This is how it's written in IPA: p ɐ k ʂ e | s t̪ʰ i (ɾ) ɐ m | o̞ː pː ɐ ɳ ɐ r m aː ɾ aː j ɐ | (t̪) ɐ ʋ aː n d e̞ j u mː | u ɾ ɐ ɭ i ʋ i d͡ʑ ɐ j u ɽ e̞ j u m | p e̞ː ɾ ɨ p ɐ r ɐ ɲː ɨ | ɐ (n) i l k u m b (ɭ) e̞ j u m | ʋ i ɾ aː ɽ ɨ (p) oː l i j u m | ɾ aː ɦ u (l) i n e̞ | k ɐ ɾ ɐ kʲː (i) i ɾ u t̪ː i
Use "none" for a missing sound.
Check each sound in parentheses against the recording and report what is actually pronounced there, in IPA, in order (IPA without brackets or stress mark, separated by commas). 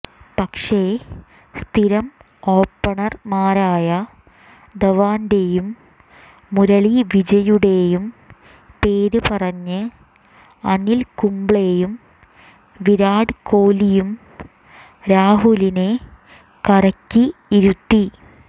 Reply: ɾ, d̪, n, ɭ, k, l, i